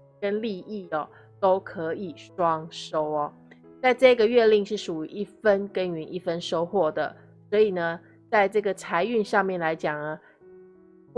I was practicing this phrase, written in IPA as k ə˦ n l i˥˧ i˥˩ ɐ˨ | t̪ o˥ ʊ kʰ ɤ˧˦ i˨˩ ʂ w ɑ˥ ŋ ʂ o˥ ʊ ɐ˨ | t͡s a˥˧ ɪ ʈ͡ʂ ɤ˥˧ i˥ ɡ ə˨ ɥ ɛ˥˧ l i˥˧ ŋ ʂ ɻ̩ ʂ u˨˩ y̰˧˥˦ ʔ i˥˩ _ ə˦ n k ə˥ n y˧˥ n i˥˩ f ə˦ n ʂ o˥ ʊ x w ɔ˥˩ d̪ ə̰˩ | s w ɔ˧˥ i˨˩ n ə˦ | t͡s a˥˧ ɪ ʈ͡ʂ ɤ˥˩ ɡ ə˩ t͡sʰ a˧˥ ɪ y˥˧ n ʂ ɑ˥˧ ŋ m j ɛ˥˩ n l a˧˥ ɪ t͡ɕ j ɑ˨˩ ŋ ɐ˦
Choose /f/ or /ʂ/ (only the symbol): f